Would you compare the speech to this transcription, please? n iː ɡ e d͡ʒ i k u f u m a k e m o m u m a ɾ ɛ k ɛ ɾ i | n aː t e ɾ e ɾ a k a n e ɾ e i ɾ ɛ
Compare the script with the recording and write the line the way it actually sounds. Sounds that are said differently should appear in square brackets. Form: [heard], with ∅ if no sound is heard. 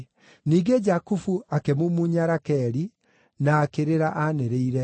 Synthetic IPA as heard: n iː ɡ e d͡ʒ [a] k u f u [∅] a k e m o m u [ɲ] a ɾ [a] k ɛ ɾ i | n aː [k] e ɾ e ɾ a [ʔ] a n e ɾ e i ɾ ɛ